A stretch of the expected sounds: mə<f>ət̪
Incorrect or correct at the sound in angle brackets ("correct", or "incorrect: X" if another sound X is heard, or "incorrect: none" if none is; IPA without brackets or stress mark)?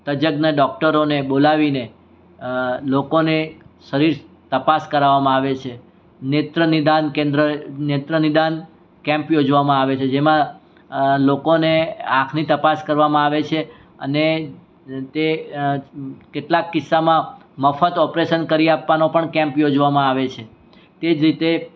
correct